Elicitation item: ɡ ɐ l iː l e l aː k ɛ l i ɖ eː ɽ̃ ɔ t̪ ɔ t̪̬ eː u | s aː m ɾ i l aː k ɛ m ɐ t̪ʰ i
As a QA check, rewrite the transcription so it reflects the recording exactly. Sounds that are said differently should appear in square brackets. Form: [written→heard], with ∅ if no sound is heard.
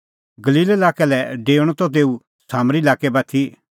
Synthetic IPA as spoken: ɡ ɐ l iː l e l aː k ɛ l [i→ɛ] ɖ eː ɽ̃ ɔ t̪ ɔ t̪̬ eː u | s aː m ɾ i l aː k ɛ [m→b] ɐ t̪ʰ i